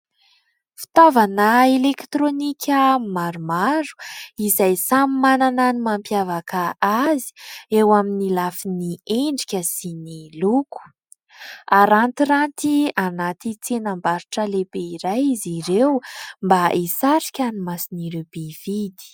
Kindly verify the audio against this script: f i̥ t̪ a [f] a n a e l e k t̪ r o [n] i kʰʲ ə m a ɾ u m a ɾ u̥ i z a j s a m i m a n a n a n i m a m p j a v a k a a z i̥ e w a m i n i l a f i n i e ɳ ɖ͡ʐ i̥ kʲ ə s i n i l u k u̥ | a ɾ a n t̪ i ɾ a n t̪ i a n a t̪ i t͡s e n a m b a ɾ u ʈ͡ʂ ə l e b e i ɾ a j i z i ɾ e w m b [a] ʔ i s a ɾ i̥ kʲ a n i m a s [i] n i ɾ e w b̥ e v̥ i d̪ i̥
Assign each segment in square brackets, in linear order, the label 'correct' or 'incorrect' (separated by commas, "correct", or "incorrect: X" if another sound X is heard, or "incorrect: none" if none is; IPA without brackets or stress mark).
incorrect: v, correct, correct, correct